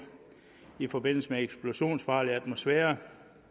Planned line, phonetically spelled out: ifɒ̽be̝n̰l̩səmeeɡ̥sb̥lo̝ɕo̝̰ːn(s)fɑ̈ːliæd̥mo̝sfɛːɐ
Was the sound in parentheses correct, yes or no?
yes